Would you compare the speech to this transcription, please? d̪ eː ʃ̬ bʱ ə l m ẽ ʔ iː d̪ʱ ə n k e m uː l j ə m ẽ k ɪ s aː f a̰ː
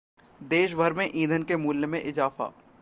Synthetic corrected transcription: d̪ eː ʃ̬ bʱ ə ɾ m ẽ ʔ iː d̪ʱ ə n k e m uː l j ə m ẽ ʔ ɪ z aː f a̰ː